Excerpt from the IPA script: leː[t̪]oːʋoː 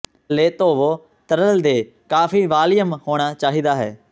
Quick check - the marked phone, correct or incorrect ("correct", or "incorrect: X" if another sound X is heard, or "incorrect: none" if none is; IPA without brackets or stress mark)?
correct